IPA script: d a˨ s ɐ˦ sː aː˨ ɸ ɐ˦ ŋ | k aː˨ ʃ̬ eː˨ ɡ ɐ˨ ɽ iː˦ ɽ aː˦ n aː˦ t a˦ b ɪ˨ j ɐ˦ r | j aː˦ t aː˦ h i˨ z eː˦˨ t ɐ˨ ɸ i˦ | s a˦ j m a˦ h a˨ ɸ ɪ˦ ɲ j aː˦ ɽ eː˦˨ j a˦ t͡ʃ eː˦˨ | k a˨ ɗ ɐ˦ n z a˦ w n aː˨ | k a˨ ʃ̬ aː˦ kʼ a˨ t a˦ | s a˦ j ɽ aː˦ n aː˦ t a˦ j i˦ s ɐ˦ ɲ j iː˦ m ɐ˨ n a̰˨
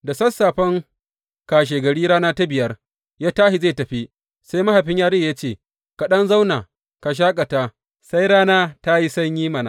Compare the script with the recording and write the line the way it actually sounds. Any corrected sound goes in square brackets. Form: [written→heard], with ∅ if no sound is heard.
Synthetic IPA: d a˨ s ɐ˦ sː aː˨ ɸ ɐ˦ ŋ | k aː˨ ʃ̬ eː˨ ɡ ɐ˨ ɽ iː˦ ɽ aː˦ n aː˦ t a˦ b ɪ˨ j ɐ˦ r | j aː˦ t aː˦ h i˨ z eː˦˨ t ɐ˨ ɸ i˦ | s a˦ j m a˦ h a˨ ɸ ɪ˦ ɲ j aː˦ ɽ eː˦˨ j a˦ t͡ʃ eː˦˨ | k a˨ ɗ ɐ˦ n z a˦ w n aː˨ | k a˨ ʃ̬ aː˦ kʼ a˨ t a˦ | s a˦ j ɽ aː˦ n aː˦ t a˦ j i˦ s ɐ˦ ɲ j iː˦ m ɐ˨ n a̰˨